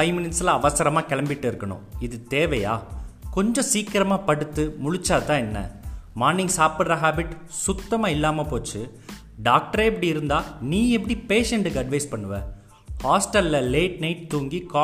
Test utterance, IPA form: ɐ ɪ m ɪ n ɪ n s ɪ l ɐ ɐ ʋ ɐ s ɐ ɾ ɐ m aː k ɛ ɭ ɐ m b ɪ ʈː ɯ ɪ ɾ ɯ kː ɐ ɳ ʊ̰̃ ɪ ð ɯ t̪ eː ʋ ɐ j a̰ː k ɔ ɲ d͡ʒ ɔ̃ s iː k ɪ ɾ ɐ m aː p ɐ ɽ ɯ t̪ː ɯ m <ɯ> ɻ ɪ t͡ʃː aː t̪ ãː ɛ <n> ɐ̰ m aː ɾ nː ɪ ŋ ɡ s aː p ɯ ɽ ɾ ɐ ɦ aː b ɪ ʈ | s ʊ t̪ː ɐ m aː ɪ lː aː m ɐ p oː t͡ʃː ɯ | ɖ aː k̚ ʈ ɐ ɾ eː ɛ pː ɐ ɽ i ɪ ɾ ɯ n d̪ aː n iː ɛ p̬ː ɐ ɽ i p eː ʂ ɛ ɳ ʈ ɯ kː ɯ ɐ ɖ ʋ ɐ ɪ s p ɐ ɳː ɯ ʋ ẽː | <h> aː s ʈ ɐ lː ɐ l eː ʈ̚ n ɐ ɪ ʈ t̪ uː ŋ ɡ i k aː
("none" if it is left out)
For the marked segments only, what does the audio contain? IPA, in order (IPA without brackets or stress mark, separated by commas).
ʊ, nː, h